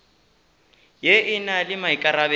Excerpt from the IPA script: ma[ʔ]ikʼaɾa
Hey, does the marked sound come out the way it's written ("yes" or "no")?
no